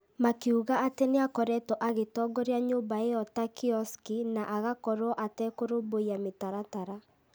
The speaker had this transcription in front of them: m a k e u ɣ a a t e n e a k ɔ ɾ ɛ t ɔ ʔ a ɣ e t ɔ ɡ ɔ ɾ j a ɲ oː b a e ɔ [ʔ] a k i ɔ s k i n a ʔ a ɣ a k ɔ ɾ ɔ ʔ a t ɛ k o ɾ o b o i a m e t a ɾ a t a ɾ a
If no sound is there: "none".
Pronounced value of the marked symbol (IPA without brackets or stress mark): t